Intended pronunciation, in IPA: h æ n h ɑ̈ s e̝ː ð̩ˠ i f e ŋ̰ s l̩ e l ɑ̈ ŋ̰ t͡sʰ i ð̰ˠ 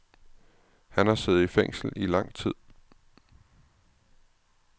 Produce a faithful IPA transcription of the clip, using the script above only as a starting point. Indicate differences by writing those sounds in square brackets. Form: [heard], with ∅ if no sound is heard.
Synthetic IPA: h æ n h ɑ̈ s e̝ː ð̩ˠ i f e ŋ̰ s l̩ [i] l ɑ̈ ŋ̰ t͡sʰ i ð̰ˠ